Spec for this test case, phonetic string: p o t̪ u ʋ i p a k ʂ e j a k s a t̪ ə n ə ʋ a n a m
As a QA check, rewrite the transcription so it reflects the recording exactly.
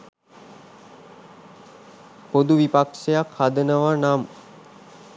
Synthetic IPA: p o d̪ u ʋ i p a k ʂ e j a k h a d̪ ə n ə ʋ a n a m

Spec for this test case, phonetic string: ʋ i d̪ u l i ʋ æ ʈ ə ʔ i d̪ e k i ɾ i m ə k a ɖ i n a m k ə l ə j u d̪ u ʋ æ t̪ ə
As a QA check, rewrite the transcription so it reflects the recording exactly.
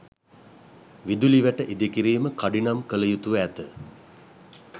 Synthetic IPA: ʋ i d̪ u l i ʋ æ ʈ ə ʔ i d̪ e k i ɾ iː m ə k a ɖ i n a m k ə l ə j u t̪ u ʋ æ t̪ ə

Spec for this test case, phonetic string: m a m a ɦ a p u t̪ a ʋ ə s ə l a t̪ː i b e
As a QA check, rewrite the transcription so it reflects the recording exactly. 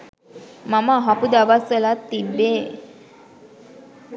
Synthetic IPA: m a m a ɦ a p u d̪ a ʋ a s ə l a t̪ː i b e

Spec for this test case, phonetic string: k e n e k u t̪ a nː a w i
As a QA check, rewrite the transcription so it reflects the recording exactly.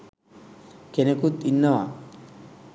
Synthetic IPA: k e n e k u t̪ i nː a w a

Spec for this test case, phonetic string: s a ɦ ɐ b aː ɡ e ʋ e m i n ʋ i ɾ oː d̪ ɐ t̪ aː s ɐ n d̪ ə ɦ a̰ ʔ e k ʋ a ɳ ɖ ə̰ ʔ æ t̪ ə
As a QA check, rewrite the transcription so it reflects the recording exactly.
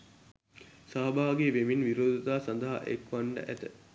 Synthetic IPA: s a ɦ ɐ b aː ɡ e ʋ e m i n ʋ i ɾ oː d̪ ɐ t̪ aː s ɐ n d̪ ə ɦ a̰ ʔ e k ʋ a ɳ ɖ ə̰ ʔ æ t̪ ə

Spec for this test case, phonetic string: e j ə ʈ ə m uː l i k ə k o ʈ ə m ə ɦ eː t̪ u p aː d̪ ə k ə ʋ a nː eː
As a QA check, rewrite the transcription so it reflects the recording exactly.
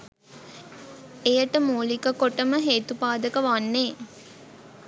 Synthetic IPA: e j ə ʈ ə m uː l i k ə k o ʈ ə m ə ɦ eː t̪ u p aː d̪ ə k ə ʋ a nː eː

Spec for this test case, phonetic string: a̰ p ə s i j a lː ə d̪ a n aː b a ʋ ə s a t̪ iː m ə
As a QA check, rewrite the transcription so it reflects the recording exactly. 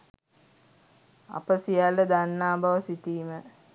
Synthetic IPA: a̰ p ə s i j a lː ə d̪ a nː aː b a ʋ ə s i t̪ iː m ə

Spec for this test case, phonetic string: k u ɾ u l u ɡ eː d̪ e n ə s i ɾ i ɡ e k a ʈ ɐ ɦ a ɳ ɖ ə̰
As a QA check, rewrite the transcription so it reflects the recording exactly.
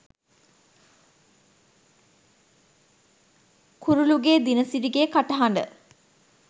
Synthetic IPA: k u ɾ u l u ɡ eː d̪ i n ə s i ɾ i ɡ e k a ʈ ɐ ɦ a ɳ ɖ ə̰

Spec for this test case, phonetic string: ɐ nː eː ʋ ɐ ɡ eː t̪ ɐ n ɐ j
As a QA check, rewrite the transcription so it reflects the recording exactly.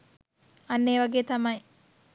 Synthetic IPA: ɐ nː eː ʋ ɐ ɡ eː t̪ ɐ m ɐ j

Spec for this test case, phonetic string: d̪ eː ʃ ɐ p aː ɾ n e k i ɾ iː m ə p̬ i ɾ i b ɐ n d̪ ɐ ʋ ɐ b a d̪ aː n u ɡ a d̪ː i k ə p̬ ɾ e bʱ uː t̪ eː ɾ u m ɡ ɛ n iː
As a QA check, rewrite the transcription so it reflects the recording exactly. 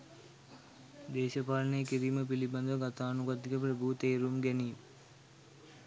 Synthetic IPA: d̪ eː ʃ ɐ p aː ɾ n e k i ɾ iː m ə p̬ i l i b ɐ n d̪ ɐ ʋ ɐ ɡ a t̪ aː n u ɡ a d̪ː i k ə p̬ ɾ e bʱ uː t̪ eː ɾ u m ɡ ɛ n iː

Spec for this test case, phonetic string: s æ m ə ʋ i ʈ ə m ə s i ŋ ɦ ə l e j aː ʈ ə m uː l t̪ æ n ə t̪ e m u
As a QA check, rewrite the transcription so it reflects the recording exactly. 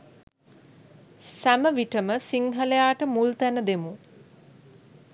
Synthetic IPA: s æ m ə ʋ i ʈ ə m ə s i ŋ ɦ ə l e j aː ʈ ə m u l t̪ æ n ə d̪ e m u

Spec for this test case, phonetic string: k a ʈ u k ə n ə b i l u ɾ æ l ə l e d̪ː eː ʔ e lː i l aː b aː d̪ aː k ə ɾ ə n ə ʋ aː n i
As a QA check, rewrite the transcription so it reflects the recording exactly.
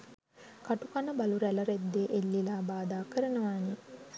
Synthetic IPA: k a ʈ u k a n ə b a l u ɾ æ l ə ɾ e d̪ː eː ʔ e lː i l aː b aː d̪ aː k ə ɾ ə n ə ʋ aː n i

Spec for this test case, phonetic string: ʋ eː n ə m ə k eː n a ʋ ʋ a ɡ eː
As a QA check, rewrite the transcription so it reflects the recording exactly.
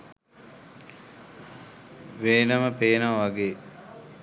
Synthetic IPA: ʋ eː n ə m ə p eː n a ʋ ʋ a ɡ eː

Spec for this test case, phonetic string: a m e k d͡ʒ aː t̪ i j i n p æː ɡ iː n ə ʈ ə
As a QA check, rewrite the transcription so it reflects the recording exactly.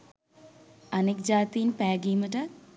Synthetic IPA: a n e k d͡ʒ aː t̪ i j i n p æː ɡ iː m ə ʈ ə

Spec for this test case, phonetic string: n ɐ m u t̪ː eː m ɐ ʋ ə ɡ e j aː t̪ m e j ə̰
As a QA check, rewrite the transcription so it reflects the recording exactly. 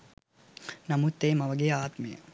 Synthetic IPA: n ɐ m u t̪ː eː m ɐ ʋ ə ɡ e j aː t̪ m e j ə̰

